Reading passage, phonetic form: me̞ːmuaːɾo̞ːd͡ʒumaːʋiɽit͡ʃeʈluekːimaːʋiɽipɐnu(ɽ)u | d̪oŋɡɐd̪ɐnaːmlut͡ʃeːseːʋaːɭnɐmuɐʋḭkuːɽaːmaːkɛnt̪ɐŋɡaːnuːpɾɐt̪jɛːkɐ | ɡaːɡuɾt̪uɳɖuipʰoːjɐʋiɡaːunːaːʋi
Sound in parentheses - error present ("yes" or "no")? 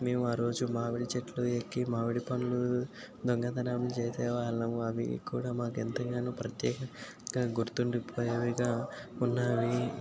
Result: yes